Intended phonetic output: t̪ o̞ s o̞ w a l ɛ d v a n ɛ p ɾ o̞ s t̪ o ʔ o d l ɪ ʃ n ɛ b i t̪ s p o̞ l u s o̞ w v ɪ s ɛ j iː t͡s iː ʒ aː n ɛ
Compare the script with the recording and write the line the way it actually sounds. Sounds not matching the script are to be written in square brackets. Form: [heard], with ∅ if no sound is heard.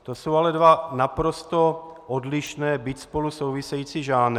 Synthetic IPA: t̪ o̞ s o̞ w a l ɛ d v a n [a] p ɾ o̞ s t̪ o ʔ o d l ɪ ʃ n [ɛː] b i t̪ s p o̞ l u s o̞ w v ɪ s ɛ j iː t͡s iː ʒ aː n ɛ